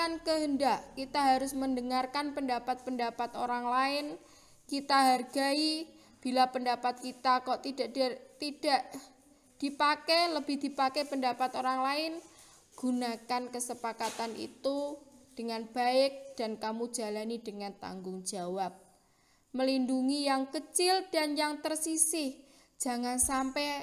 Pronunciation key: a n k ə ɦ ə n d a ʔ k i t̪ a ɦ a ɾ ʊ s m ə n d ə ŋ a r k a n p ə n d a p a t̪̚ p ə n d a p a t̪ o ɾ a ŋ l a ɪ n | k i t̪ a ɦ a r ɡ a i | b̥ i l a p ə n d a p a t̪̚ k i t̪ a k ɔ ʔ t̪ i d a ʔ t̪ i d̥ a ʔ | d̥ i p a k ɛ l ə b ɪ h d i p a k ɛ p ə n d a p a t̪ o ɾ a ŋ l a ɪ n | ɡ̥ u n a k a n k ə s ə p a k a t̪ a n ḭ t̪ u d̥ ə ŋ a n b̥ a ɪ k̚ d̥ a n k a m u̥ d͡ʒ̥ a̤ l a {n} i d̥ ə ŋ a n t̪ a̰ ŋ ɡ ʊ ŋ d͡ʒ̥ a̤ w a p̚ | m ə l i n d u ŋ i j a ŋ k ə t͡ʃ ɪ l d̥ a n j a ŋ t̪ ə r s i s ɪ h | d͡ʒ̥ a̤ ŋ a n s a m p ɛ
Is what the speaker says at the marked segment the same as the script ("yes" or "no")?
yes